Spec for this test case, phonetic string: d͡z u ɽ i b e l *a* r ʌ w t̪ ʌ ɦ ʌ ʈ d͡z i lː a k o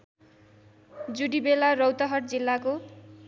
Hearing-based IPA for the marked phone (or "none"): a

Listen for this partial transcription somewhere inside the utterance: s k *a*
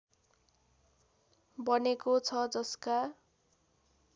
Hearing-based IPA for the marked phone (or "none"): a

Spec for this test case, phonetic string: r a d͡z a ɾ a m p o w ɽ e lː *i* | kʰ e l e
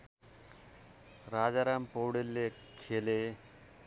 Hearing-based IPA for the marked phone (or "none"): e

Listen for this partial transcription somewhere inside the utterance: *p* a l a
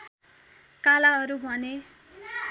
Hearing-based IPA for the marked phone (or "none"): k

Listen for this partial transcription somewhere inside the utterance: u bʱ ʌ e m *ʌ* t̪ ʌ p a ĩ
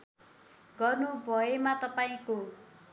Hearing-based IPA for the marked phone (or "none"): a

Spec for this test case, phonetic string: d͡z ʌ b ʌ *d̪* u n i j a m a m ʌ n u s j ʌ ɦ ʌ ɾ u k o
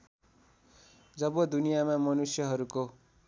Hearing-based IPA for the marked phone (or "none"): d̪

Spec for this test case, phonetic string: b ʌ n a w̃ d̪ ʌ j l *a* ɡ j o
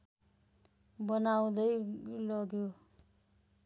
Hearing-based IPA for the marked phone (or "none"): ʌ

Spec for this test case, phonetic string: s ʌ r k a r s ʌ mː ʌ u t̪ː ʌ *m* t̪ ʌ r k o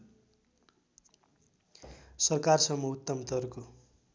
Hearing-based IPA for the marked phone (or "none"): m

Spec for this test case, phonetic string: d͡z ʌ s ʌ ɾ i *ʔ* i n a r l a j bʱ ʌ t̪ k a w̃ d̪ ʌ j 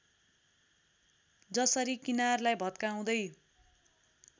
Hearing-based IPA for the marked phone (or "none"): k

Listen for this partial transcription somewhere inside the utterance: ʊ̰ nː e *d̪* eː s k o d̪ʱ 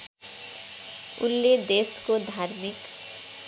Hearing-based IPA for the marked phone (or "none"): d̪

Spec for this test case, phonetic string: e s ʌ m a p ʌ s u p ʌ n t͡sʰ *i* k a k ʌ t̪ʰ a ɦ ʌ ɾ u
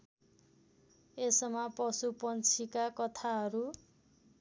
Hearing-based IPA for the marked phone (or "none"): i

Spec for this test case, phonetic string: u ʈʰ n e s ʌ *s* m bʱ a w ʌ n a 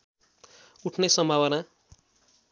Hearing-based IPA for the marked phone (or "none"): none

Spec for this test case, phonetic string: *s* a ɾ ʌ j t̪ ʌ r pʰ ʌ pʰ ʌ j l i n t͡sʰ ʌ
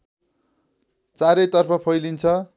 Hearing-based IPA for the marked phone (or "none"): t͡s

